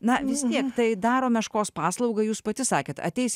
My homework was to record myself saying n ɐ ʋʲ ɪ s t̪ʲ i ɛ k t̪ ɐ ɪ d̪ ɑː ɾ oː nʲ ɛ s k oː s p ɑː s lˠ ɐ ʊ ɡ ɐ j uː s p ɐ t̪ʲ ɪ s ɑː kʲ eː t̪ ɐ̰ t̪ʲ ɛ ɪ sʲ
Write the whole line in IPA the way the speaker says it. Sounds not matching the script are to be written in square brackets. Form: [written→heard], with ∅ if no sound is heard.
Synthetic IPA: n ɐ ʋʲ ɪ s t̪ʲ i ɛ k t̪ ɐ ɪ d̪ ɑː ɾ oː [nʲ→mʲ] ɛ [s→ʃ] k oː s p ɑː s lˠ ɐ ʊ ɡ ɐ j uː s p ɐ t̪ʲ ɪ s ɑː kʲ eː t̪ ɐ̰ t̪ʲ ɛ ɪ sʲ